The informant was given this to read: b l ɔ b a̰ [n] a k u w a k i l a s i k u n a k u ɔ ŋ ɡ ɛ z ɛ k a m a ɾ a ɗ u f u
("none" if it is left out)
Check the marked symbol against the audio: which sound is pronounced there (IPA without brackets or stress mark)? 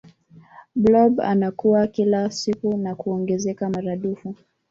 n